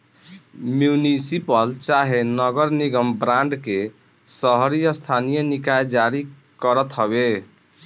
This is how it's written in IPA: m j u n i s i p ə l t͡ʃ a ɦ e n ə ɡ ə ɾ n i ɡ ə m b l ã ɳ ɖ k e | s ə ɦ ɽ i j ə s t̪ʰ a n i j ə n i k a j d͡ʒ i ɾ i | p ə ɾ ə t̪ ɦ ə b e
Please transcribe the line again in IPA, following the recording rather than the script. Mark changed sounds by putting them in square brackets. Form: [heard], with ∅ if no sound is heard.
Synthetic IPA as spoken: m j u n i s i p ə l t͡ʃ a ɦ e n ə ɡ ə ɾ n i ɡ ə m b [ɾ] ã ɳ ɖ k e | s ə ɦ [ɾ] i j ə s t̪ʰ a n i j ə n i k a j d͡ʒ [a] ɾ i | [k] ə ɾ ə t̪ ɦ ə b e